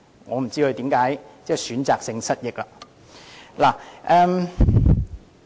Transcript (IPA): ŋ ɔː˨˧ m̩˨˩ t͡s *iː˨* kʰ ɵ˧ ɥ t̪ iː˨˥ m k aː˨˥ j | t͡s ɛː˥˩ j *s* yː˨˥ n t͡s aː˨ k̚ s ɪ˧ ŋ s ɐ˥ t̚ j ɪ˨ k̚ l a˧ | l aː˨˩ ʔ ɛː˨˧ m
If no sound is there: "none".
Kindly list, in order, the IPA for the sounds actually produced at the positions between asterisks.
iː˥, s

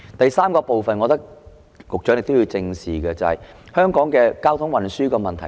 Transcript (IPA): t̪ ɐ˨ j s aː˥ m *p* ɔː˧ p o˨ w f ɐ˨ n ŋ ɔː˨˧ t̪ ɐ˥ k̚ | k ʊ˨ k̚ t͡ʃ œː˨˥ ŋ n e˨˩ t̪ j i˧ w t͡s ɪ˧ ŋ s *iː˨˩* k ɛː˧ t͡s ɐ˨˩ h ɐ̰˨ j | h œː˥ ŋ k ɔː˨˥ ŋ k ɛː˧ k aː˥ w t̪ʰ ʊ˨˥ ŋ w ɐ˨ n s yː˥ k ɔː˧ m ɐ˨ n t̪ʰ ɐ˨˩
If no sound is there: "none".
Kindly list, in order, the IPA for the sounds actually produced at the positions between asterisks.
k, iː˨˩

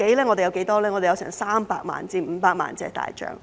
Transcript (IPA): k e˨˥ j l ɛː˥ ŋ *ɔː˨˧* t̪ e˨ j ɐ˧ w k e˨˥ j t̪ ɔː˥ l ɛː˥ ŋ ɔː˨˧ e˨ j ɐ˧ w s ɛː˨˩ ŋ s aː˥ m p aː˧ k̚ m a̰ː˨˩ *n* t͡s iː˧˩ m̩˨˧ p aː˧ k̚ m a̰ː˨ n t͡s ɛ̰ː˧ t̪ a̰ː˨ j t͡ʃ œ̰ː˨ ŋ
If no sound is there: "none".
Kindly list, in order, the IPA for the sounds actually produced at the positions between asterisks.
ɔ˨˧, n

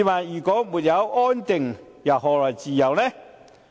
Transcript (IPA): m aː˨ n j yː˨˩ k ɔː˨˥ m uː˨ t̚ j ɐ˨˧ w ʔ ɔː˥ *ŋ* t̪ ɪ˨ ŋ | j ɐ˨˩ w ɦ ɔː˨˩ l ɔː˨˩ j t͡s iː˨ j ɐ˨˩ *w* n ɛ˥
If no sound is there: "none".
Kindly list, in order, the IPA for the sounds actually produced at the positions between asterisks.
n, w

